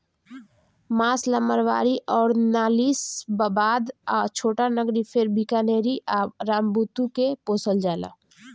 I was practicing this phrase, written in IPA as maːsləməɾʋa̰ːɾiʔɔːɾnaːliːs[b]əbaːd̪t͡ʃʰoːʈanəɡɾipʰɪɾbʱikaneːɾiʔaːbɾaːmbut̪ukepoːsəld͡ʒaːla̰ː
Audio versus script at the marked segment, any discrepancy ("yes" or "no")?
no